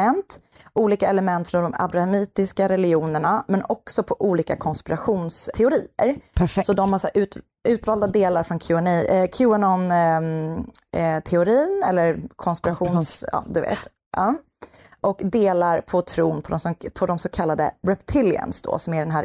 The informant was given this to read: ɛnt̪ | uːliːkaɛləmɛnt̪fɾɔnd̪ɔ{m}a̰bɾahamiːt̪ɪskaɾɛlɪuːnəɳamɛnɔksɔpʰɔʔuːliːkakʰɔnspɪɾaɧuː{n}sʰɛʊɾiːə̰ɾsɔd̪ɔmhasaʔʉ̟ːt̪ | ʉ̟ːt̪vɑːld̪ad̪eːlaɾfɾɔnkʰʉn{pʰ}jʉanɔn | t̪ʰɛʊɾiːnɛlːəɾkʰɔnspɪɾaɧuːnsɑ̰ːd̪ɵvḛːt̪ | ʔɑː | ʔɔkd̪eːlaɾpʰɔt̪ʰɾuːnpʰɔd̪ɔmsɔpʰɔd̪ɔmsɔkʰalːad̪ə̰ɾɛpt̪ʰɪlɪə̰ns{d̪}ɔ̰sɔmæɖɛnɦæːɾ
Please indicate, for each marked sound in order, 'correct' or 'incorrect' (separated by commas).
correct, correct, incorrect, correct